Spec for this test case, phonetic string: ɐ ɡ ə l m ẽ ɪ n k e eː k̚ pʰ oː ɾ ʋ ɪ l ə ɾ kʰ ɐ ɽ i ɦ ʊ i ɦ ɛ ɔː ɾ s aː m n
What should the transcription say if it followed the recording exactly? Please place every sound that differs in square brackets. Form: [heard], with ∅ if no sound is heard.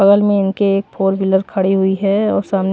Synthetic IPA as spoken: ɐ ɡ ə l m ẽ ɪ n k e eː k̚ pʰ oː ɾ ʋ ɪ l ə ɾ kʰ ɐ ɽ i ɦ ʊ i ɦ ɛ ɔː ɾ s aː m n